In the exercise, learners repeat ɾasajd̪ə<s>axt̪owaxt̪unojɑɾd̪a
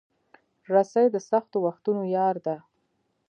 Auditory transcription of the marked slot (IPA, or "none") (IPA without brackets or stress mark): s